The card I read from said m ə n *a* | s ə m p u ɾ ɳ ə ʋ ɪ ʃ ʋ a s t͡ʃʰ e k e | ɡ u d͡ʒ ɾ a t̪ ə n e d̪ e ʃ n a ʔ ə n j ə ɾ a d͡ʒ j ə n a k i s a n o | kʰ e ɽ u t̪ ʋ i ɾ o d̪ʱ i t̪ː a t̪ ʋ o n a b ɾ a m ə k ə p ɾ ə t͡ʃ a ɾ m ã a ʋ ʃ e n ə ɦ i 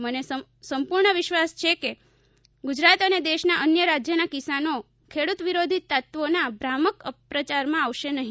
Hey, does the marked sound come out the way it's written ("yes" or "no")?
no